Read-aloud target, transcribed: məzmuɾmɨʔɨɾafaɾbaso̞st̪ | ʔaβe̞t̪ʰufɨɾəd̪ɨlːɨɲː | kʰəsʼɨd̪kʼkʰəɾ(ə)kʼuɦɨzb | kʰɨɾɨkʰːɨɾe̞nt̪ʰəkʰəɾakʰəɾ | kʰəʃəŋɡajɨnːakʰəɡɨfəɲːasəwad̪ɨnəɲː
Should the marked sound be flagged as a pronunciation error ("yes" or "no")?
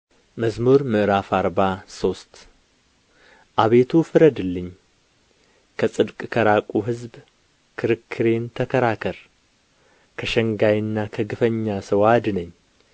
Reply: yes